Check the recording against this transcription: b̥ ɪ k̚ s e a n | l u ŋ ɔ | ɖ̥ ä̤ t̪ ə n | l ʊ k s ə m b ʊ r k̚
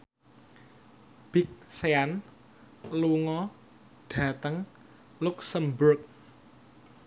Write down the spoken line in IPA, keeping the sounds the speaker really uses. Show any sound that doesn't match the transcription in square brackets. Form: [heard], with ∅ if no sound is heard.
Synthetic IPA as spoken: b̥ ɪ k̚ s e a n | l u ŋ ɔ | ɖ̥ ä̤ t̪ ə [ŋ] | l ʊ k s ə m b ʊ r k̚

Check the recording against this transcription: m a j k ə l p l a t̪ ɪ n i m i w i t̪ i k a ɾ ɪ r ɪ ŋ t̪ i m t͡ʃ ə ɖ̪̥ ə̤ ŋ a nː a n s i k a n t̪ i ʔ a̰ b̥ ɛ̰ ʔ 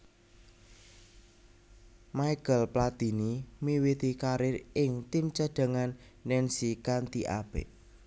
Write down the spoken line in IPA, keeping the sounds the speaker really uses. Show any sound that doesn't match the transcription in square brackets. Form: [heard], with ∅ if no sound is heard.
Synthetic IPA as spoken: m a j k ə l p l a t̪ [i] n i m i w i t̪ i k a ɾ ɪ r ɪ ŋ t̪ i m t͡ʃ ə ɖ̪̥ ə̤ ŋ a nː [ɛ] n s i k a n t̪ i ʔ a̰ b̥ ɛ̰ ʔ

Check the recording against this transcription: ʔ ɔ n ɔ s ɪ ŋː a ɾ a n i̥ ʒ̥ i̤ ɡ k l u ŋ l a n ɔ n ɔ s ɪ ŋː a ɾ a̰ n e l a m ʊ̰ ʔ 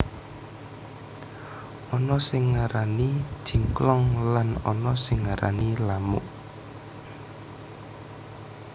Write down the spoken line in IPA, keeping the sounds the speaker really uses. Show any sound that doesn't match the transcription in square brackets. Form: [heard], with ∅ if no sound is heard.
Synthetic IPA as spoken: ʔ ɔ n ɔ s ɪ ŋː a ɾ a n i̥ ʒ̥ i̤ [ŋ] k l [ɔ] ŋ l a n ɔ n ɔ s ɪ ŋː a ɾ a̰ n [i] l a m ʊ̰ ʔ

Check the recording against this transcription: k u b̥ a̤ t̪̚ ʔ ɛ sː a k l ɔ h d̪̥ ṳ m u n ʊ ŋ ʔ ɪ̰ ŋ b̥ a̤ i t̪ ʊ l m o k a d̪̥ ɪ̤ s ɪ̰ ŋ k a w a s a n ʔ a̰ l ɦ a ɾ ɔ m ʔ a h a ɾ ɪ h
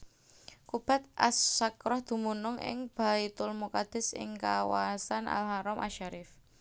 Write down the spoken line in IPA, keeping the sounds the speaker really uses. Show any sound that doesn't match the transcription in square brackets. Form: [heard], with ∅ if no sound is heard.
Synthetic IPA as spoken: k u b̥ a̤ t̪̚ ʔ [a] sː a k [ɾ] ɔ h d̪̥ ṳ m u n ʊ ŋ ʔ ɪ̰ ŋ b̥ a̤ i t̪ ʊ l m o k a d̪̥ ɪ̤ s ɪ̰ ŋ k a w a s a n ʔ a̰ l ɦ a ɾ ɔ m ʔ a [ʃ] a ɾ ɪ [f]

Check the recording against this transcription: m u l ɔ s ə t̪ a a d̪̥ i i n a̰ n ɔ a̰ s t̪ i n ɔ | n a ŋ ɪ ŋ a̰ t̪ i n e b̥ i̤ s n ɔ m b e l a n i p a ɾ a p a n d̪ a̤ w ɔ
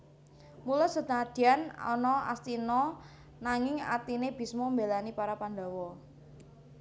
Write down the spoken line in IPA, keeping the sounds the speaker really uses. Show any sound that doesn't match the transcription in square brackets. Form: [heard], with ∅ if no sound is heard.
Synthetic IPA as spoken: m u l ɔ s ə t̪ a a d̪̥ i [a] n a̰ n ɔ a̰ s t̪ i n ɔ | n a ŋ ɪ ŋ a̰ t̪ i n e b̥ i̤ s [m] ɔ m b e l a n i p a ɾ a p a n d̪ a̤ w ɔ

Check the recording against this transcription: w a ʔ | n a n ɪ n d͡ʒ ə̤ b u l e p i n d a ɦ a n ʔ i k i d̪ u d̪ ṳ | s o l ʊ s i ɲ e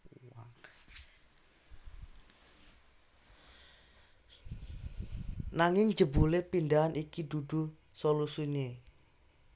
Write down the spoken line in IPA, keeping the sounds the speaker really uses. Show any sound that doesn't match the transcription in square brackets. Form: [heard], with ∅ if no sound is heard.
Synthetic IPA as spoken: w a [∅] | n a [ŋ] ɪ [ŋ] d͡ʒ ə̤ b u l e p i n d a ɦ a n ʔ i k i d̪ u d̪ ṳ | s o l [u] s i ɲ e

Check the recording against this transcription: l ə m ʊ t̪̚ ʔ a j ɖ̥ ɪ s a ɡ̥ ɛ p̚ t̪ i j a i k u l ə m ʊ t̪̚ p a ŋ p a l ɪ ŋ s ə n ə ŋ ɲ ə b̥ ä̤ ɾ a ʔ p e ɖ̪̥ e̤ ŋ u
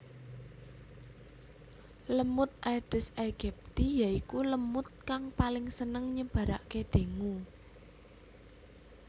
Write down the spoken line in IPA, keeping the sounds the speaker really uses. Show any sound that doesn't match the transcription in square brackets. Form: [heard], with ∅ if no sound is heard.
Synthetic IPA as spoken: l ə m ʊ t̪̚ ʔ a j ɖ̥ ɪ s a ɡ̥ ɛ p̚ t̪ i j a i k u l ə m ʊ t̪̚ [k] a ŋ p a l ɪ ŋ s ə n ə ŋ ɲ ə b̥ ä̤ ɾ a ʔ [k] e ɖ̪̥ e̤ ŋ u

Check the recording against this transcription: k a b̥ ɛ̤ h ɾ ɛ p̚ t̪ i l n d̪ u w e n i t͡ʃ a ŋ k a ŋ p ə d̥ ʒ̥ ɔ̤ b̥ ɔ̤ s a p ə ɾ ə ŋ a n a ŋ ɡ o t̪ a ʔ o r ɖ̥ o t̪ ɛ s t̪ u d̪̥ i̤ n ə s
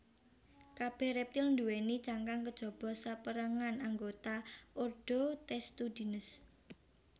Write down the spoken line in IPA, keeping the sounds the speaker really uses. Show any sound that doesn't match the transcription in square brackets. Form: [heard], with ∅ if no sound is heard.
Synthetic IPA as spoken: k a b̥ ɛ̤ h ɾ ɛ p̚ t̪ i l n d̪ u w e n i t͡ʃ a ŋ k a ŋ [k] ə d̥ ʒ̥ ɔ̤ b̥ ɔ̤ s a p ə ɾ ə ŋ a n a ŋ ɡ o t̪ a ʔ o r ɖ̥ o t̪ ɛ s t̪ u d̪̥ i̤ n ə s

